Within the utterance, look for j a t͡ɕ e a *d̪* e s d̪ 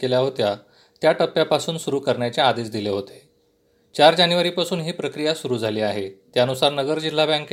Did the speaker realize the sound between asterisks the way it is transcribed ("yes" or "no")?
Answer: yes